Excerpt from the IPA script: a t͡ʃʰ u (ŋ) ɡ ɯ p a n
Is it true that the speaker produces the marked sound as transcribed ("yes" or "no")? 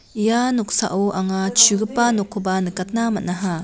no